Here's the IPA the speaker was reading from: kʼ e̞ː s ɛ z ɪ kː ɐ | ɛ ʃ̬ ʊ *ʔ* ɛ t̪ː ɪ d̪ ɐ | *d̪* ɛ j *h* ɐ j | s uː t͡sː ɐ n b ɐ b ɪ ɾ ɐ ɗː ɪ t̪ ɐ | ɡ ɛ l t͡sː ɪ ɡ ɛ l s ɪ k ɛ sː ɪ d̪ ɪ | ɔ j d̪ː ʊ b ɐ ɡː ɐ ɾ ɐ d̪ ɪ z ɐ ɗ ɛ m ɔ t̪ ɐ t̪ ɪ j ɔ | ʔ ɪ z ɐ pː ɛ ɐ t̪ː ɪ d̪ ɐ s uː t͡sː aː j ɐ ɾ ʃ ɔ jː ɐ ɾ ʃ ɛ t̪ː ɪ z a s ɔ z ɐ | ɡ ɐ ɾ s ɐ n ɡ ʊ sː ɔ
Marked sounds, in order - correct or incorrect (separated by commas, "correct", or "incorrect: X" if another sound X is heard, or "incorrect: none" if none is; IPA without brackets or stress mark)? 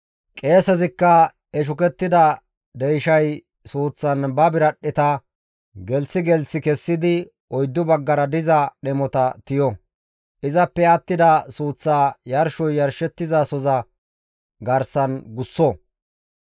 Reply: incorrect: k, correct, incorrect: ʃ